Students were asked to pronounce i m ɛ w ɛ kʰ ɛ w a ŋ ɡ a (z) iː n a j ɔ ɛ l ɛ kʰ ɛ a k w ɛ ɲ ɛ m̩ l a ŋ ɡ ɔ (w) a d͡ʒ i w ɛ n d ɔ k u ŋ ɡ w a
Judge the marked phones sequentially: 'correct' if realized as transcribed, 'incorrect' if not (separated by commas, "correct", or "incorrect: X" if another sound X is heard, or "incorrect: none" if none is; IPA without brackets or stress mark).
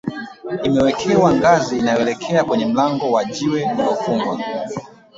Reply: correct, correct